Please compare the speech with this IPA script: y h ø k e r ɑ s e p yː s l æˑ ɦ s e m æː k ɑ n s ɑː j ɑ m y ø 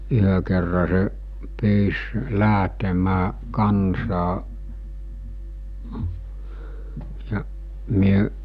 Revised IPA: y h ø k e rː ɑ s e p yː s l æˑ ɦ t e m æː k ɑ n s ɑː j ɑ m y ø